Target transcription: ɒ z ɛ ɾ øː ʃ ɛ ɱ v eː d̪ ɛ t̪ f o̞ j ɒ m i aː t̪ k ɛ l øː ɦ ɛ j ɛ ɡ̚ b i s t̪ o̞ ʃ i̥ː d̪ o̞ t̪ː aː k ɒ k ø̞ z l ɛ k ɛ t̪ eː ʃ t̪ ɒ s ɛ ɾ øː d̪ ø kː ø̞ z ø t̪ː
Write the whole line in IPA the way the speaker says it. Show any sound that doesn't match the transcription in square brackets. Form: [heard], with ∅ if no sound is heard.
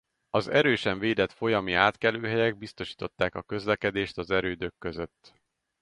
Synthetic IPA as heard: ɒ z ɛ ɾ øː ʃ ɛ ɱ v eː d̪ ɛ t̪ f o̞ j ɒ m i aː t̪ k ɛ l øː ɦ ɛ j ɛ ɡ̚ b i s t̪ o̞ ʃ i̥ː [t̪] o̞ t̪ː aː k ɒ k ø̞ z l ɛ k ɛ [d̪] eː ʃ t̪ ɒ [z] ɛ ɾ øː d̪ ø kː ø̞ z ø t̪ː